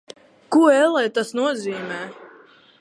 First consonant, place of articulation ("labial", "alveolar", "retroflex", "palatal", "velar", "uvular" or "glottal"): velar